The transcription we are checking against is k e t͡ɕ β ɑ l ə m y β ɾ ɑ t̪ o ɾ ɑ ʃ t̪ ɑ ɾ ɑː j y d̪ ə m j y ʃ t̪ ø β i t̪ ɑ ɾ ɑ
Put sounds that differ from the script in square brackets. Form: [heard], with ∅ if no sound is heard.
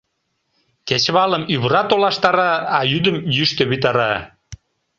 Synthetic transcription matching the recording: k e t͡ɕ β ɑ l ə m y β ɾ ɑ t̪ o [l] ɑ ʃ t̪ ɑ ɾ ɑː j y d̪ ə m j y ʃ t̪ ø β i t̪ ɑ ɾ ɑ